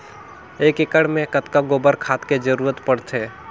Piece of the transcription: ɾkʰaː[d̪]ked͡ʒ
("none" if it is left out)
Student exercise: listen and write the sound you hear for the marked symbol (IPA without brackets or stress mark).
t̪